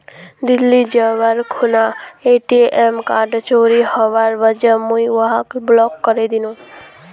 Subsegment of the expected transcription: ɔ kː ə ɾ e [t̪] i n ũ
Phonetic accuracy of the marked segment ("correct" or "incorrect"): incorrect